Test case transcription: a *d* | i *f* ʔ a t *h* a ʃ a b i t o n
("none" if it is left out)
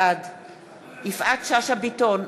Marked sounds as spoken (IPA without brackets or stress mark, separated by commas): d, f, ʃ